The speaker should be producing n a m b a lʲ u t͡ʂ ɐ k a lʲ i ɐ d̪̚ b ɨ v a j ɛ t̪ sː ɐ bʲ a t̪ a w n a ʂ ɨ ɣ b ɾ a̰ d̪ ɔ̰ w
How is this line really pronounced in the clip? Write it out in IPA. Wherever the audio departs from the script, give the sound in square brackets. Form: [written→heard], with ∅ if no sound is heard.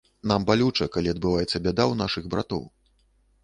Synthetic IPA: n a m b a lʲ u t͡ʂ ɐ k a lʲ i ɐ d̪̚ b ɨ v a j ɛ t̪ sː ɐ bʲ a [t̪→d̪] a w n a ʂ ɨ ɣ b ɾ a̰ [d̪→t̪] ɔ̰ w